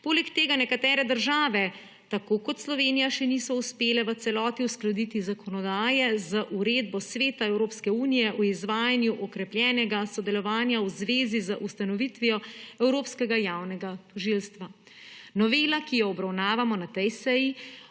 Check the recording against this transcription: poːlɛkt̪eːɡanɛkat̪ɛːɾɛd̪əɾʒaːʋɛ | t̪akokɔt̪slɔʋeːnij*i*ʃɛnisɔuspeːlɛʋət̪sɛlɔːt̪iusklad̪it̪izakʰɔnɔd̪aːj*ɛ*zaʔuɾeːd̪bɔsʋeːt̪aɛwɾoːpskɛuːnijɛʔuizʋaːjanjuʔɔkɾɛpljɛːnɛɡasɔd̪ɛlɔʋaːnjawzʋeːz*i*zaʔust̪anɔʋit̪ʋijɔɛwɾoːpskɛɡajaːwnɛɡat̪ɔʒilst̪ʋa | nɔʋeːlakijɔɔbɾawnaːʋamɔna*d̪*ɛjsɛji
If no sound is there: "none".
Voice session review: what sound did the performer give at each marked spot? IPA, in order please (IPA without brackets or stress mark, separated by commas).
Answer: a, ɛ, i, t̪